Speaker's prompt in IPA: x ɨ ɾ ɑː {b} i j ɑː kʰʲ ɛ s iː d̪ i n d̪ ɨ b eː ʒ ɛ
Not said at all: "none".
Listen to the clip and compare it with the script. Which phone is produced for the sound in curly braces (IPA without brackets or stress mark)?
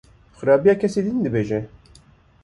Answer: b